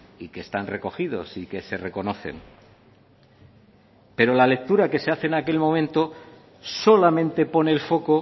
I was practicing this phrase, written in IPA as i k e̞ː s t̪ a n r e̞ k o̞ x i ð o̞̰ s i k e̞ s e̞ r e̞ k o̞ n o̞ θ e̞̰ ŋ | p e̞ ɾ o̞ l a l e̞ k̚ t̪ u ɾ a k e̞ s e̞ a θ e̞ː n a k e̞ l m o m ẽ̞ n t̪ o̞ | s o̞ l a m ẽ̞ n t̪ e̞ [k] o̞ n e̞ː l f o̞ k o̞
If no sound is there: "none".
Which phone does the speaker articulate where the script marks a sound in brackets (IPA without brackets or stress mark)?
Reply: p